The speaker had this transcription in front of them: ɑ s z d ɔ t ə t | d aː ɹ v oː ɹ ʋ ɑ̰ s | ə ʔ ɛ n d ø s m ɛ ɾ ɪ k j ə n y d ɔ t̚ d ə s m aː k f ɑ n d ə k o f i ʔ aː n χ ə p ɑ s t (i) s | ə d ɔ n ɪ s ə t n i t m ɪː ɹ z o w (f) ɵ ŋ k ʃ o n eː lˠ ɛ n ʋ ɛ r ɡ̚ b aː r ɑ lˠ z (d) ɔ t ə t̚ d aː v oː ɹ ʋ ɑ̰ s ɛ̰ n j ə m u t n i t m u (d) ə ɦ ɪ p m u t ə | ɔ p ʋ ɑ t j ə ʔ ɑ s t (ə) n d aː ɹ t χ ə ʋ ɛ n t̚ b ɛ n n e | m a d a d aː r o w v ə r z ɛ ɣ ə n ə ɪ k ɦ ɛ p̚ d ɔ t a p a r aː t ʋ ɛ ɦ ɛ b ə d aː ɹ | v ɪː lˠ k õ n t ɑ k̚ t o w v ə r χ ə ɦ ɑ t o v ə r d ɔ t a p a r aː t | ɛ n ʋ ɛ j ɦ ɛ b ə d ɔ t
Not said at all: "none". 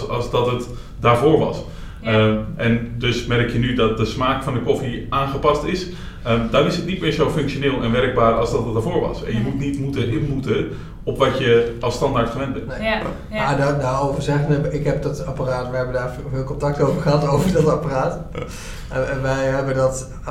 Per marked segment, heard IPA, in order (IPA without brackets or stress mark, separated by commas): ɪ, f, d, t, ɑ